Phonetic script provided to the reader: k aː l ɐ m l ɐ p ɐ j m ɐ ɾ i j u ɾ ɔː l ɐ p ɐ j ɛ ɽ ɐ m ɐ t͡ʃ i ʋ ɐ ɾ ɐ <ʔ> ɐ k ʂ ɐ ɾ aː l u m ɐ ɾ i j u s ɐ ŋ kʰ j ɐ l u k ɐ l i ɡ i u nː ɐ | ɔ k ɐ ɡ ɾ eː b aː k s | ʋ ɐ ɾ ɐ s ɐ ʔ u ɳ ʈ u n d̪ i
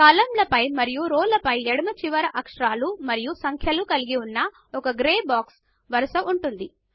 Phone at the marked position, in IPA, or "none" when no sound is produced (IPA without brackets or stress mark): ʔ